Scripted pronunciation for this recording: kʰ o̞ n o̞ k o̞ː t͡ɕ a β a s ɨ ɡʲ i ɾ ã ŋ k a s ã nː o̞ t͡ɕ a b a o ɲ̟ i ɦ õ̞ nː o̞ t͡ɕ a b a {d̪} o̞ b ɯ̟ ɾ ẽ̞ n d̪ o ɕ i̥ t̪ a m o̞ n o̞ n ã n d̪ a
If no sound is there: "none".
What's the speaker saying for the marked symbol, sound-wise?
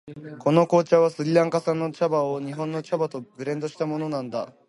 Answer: t̪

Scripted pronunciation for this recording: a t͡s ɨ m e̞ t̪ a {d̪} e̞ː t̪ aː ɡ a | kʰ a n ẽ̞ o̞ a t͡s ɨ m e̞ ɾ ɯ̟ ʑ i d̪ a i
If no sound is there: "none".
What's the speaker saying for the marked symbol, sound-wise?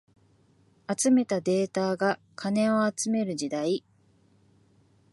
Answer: d̪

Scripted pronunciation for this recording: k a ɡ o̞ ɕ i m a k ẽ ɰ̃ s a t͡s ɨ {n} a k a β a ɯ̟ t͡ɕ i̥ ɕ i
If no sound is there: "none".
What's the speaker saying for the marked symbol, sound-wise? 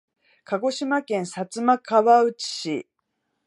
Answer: m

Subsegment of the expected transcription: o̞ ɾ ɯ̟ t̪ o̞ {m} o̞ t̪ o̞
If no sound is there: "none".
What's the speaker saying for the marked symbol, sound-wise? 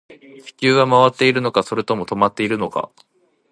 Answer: m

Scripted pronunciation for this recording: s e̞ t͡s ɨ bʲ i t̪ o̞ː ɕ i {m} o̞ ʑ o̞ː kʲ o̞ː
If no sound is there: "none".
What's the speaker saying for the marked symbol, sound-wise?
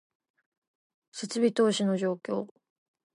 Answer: n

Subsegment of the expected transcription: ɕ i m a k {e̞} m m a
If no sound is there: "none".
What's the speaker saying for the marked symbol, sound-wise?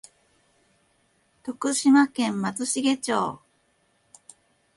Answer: ẽ̞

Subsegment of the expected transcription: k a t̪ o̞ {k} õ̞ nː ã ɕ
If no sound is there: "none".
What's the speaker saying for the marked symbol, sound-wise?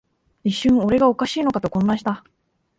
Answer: k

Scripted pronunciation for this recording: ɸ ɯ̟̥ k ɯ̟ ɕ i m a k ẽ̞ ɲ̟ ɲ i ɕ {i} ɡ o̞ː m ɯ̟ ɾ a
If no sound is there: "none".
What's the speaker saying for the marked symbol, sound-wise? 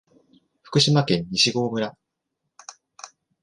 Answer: i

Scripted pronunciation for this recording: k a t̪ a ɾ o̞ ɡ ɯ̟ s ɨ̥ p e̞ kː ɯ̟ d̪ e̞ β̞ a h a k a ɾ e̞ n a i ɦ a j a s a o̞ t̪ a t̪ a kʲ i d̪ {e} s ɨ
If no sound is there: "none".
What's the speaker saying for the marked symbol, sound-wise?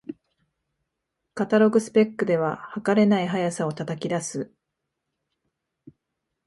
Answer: a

